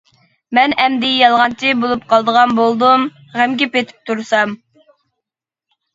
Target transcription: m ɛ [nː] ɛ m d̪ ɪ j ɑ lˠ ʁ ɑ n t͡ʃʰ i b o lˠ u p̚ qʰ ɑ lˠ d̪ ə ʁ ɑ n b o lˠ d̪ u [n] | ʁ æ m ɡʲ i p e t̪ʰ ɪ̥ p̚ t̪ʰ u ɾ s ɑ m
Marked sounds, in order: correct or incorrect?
incorrect, incorrect

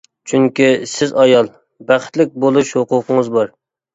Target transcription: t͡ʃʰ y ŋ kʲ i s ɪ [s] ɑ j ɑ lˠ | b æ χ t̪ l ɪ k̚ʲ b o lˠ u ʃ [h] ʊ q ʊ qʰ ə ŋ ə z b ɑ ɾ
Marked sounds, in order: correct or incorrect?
incorrect, correct

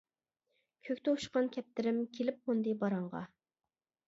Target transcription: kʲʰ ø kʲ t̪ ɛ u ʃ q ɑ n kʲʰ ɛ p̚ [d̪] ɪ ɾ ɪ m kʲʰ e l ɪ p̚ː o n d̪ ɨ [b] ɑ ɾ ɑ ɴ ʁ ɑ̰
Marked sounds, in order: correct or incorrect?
incorrect, correct

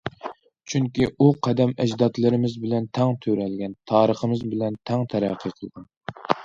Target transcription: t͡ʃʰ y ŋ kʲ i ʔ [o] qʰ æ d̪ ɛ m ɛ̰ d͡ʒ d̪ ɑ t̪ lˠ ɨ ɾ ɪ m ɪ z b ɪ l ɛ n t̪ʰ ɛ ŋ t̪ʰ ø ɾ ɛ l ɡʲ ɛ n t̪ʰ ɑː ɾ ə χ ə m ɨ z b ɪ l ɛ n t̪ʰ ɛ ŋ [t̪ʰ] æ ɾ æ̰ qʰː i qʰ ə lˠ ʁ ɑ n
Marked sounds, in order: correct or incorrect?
incorrect, correct

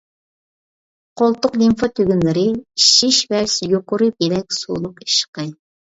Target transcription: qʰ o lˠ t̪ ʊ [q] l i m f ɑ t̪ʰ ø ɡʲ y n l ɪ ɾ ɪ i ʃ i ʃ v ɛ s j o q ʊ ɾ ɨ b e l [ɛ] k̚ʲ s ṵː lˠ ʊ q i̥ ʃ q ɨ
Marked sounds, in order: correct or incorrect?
correct, correct

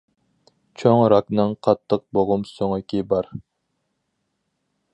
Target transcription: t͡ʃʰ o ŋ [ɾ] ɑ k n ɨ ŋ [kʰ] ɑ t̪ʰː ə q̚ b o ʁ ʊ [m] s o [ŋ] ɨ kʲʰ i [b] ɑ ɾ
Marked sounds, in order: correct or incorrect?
correct, incorrect, correct, correct, correct

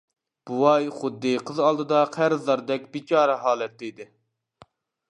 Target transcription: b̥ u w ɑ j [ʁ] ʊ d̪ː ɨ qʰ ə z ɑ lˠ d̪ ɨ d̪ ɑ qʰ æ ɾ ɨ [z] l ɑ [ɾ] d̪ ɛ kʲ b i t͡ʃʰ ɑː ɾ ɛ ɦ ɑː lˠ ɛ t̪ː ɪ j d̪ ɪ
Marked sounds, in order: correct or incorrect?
incorrect, correct, correct

